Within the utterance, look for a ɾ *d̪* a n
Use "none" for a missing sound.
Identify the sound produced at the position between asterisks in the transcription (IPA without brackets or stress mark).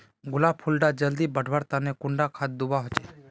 t̪